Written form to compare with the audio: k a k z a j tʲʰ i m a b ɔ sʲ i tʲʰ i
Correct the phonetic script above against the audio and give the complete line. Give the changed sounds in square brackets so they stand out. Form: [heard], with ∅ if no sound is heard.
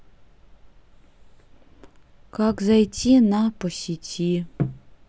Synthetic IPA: k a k z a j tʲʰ i [n] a [p] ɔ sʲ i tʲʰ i